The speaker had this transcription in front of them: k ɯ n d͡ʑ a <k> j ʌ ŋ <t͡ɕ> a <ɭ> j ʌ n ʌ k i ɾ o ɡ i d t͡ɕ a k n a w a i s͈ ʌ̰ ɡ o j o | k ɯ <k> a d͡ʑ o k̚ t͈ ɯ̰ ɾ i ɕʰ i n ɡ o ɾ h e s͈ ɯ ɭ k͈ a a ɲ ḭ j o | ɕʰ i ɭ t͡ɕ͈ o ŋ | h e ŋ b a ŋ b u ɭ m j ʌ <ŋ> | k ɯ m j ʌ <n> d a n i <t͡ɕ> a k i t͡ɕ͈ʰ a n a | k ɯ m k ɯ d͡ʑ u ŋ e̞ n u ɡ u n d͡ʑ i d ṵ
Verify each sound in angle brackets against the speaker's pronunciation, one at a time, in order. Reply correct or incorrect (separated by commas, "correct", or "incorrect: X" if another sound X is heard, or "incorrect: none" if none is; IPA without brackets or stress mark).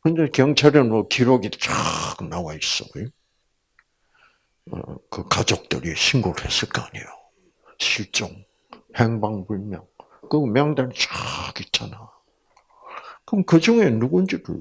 correct, incorrect: t͡ɕʰ, incorrect: ɾ, correct, correct, incorrect: ŋ, correct